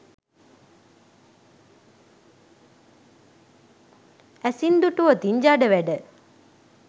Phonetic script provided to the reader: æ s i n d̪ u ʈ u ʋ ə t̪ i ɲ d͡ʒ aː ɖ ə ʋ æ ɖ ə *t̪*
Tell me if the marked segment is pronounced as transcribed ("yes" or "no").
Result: no